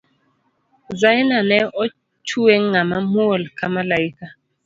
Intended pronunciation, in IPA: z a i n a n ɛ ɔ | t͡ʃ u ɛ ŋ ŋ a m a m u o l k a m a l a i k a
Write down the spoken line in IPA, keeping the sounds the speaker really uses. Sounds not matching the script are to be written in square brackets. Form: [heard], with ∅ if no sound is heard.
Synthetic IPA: z a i n a n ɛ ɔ | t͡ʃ u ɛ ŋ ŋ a m a m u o l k a m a l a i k a

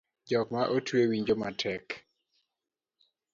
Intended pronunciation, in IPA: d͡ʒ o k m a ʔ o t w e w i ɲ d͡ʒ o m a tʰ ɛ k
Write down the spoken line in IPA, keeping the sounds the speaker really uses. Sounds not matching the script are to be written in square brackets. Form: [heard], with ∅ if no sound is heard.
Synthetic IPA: d͡ʒ [ɔ] k m a ʔ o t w e w i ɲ d͡ʒ o m a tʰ ɛ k

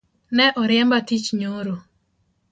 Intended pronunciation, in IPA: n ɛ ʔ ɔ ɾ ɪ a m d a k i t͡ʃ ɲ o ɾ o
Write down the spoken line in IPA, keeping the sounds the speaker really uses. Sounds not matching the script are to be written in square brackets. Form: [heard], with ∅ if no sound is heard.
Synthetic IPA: n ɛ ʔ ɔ ɾ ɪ [ɛ] m [b] a [t] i t͡ʃ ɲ o ɾ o

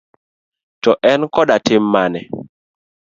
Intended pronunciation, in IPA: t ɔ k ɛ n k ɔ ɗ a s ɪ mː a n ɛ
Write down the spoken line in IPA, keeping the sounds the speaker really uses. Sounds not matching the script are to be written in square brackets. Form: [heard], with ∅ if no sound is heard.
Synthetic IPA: t ɔ [ʔ] ɛ n k ɔ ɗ a [t] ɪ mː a n ɛ

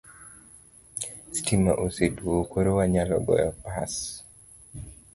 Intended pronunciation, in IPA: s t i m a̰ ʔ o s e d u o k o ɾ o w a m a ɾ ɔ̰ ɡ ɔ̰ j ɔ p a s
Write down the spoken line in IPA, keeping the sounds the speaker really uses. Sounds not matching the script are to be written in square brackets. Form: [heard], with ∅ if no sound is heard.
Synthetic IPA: s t i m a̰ ʔ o s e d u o k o ɾ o w a [ɲ] a [l] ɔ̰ ɡ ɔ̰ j ɔ p a s

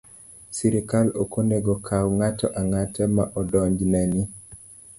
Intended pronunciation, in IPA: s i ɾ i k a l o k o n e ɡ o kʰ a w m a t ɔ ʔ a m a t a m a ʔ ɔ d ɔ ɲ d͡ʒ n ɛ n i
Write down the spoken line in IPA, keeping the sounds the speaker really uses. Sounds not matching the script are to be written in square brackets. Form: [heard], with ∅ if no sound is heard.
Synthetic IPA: s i ɾ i k a l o k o n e ɡ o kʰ a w [ŋ] a t ɔ ʔ a [ŋ] a t [ɛ] m a ʔ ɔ d ɔ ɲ d͡ʒ n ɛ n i

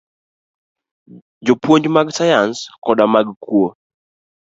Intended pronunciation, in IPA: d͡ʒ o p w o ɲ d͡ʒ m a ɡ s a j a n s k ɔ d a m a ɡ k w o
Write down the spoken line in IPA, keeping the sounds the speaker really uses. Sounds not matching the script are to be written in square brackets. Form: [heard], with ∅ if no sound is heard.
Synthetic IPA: d͡ʒ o p w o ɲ d͡ʒ m a ɡ s a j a n s k ɔ d a m a ɡ k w o

